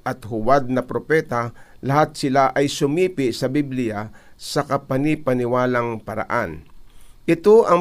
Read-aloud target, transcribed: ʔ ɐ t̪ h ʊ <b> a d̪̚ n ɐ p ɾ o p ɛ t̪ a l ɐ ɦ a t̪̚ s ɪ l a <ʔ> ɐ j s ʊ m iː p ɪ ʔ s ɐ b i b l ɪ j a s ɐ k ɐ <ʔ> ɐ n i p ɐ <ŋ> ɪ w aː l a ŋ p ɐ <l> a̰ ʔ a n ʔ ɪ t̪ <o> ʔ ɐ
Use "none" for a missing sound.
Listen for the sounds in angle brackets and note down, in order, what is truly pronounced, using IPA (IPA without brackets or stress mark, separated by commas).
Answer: w, ʔ, p, n, ɾ, o